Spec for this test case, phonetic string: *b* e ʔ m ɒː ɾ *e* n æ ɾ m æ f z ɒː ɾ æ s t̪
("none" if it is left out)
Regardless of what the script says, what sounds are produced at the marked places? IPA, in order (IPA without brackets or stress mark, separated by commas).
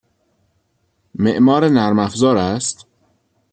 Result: m, e